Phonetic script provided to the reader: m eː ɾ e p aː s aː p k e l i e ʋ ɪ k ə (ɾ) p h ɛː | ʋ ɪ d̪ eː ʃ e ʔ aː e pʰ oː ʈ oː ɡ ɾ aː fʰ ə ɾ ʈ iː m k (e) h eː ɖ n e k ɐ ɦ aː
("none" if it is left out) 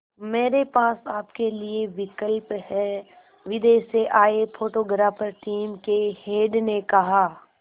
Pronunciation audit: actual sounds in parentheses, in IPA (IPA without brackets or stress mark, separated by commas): l, e